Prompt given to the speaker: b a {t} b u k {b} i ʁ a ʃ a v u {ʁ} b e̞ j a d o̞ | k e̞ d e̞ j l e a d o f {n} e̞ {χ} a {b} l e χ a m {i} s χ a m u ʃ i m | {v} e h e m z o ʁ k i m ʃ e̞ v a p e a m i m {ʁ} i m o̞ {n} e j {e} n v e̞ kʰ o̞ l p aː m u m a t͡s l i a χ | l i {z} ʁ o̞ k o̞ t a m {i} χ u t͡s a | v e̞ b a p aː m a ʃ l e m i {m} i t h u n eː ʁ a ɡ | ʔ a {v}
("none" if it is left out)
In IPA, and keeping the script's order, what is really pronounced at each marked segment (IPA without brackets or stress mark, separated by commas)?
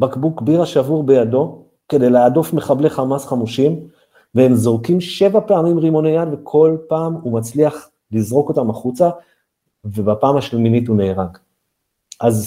k, b, ʁ, m, χ, b, a, v, ʁ, n, a, z, a, n, z